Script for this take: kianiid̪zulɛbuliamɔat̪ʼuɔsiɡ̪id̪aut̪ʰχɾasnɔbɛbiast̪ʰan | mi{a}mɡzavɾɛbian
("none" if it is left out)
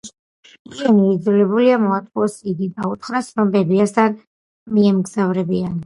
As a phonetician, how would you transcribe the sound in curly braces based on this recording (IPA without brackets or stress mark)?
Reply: ɛ